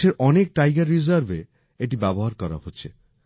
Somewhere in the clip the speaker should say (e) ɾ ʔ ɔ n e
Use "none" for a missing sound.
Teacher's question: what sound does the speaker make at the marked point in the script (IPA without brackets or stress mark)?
e